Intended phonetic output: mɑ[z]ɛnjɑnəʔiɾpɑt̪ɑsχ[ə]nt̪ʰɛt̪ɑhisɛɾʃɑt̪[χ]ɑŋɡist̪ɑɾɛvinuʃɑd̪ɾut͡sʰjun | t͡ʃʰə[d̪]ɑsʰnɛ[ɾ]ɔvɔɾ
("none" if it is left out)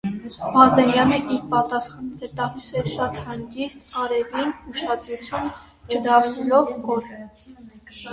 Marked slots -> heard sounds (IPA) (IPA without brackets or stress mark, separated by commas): z, ɑ, h, d̪, l